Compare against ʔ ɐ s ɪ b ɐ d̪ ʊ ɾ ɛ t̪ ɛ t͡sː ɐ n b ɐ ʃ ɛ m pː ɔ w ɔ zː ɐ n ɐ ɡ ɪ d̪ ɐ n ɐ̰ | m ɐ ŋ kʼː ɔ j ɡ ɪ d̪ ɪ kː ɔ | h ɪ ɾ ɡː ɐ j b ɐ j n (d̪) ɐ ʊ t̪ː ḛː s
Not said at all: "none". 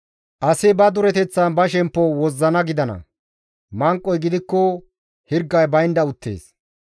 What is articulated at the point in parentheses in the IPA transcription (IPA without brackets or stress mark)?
d̪